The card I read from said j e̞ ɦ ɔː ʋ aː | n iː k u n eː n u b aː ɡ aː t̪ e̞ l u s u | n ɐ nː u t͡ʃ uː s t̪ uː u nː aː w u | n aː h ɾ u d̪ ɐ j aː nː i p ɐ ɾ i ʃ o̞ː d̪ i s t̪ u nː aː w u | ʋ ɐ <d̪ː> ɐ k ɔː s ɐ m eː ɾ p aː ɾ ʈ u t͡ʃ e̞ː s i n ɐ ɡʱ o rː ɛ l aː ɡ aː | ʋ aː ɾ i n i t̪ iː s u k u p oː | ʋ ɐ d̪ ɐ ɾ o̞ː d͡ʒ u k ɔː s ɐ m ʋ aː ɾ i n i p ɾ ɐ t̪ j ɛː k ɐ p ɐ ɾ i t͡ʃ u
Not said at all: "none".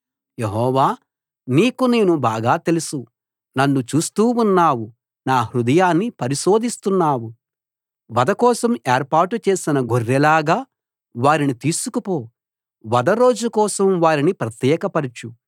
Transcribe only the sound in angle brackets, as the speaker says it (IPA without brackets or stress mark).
d̪